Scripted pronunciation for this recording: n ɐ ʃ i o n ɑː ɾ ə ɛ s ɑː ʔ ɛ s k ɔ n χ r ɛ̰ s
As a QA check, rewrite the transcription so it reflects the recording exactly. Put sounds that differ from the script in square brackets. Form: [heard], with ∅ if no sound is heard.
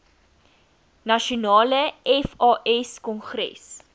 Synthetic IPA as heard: n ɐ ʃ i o n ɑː [l] ə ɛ [f] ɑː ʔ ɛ s k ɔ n χ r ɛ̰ s